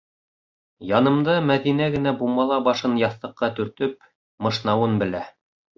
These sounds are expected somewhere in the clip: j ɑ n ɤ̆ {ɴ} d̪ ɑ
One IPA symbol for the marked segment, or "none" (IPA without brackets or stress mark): m